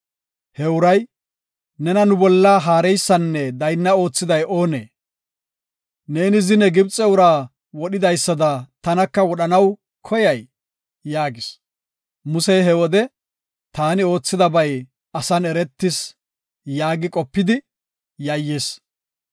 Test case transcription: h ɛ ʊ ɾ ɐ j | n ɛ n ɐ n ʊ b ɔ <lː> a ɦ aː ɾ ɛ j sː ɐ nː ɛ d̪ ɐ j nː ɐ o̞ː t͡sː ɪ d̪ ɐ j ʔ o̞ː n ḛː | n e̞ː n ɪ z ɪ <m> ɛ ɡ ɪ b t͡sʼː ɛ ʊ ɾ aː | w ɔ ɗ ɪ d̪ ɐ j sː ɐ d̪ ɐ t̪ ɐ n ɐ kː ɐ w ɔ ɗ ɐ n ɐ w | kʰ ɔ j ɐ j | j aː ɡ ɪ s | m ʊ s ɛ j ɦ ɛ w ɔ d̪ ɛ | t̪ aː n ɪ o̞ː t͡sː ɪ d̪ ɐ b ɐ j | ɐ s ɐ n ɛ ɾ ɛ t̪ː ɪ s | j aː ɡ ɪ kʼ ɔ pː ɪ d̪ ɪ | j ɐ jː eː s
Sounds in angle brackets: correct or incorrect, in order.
correct, incorrect

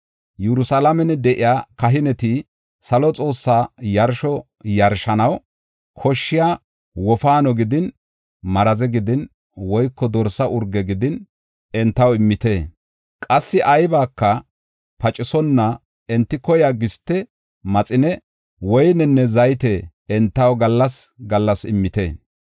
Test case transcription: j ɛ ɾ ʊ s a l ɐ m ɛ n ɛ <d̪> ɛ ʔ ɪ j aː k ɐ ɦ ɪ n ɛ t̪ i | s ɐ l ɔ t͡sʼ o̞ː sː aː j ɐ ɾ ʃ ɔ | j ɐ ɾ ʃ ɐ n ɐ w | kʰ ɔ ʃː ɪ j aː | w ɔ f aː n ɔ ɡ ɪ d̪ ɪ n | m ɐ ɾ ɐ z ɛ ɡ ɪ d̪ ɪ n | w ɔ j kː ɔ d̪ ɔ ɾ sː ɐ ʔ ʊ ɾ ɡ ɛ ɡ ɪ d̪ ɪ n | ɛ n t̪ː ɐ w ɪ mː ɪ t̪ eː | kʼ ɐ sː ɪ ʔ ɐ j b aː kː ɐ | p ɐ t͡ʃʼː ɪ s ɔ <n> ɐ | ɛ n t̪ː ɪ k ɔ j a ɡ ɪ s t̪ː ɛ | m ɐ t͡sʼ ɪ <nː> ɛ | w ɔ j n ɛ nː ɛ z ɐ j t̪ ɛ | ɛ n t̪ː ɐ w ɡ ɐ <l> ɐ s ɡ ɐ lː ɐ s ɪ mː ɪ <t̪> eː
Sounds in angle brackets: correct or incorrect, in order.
correct, incorrect, incorrect, incorrect, correct

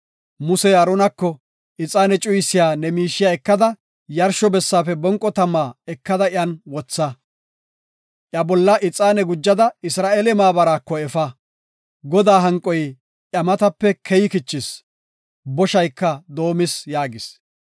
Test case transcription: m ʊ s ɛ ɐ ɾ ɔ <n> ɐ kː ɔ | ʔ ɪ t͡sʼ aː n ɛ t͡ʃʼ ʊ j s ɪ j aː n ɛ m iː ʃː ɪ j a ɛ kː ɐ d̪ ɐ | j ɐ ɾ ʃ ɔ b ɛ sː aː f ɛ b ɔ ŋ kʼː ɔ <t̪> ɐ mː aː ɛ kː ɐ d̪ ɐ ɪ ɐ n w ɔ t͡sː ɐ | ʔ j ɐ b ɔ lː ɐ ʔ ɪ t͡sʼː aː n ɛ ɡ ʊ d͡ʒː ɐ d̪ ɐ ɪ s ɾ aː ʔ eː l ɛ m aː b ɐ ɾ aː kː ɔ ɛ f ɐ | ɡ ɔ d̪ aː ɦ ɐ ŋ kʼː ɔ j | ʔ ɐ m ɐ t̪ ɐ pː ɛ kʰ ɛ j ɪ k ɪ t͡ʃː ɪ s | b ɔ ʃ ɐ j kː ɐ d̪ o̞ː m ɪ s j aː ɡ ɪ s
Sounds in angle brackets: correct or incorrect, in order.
correct, correct

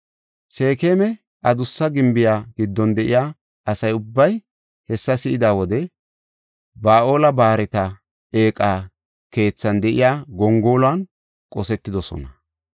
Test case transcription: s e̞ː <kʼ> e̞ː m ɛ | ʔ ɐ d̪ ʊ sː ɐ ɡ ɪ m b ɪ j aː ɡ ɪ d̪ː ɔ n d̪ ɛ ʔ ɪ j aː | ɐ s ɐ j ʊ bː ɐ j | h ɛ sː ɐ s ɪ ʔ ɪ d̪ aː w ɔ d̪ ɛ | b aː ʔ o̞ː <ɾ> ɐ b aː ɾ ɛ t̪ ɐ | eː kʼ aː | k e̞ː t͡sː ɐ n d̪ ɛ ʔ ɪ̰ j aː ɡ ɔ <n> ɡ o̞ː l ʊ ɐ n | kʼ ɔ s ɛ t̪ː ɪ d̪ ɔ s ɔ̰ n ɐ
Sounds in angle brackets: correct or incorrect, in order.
incorrect, incorrect, incorrect

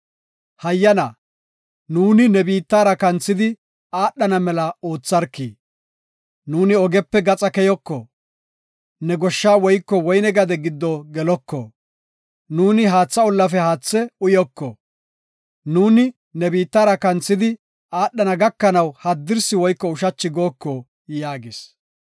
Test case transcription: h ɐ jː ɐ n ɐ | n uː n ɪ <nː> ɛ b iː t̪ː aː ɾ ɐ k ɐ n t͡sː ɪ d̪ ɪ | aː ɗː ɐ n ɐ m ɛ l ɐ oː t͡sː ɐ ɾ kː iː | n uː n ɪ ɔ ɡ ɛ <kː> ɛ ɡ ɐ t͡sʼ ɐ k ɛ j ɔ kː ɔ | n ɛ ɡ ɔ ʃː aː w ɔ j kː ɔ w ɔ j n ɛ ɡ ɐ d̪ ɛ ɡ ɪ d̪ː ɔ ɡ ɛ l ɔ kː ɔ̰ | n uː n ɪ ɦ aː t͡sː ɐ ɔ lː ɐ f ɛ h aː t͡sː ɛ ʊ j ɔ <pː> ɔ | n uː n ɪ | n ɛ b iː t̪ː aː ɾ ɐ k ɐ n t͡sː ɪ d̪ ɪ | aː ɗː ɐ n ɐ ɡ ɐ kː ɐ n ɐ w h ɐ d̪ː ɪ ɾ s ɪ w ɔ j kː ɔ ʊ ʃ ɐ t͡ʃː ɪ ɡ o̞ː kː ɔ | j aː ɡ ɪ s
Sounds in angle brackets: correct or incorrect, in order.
incorrect, incorrect, incorrect

